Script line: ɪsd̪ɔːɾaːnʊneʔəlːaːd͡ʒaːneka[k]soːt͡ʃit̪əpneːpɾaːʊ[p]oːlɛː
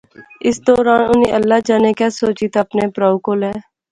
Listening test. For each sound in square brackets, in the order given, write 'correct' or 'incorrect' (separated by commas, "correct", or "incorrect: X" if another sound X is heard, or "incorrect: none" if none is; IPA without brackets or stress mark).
incorrect: none, incorrect: k